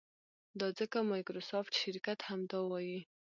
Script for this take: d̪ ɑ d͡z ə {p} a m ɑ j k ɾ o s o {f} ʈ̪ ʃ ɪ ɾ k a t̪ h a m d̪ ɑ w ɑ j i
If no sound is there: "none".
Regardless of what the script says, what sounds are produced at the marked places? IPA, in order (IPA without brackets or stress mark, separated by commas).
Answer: k, f